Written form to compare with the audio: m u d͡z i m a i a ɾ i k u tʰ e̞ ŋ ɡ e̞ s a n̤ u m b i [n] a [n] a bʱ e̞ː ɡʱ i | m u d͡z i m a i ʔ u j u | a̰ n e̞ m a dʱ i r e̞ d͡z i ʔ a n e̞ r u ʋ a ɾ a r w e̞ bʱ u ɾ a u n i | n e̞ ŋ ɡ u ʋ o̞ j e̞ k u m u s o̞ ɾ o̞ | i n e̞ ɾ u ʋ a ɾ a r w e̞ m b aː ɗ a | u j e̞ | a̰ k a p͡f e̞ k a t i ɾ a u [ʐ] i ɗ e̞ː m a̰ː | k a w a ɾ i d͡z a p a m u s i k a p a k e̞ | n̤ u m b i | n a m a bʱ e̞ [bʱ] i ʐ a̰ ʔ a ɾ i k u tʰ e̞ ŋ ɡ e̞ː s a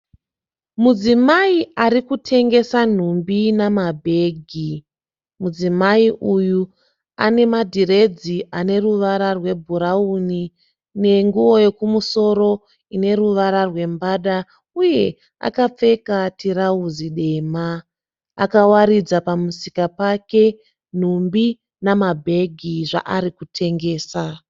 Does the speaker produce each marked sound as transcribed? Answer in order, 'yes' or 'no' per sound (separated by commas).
yes, no, no, no